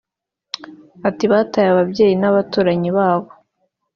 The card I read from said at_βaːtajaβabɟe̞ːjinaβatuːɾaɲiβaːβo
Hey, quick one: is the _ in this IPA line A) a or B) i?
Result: B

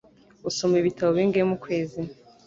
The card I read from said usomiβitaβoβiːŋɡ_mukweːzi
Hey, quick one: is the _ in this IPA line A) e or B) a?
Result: A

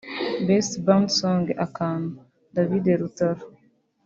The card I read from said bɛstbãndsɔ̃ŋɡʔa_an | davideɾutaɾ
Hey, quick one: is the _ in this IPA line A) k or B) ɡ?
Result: A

